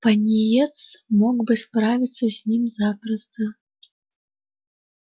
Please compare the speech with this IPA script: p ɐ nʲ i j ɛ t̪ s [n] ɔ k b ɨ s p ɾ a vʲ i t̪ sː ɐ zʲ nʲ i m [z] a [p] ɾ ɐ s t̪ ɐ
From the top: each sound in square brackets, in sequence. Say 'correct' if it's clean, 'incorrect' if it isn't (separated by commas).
incorrect, correct, correct